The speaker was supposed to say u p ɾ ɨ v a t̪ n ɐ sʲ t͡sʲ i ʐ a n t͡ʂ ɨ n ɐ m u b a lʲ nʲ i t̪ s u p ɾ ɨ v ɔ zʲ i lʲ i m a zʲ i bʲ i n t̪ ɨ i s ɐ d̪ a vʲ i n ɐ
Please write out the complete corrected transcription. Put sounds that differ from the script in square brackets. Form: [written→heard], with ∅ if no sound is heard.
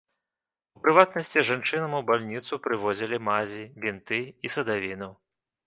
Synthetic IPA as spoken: u p ɾ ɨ v a t̪ n ɐ sʲ t͡sʲ i ʐ a n t͡ʂ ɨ n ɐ m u b a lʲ nʲ i t̪ s u p ɾ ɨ v ɔ zʲ i lʲ i m a zʲ i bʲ i n t̪ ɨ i s ɐ d̪ a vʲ i n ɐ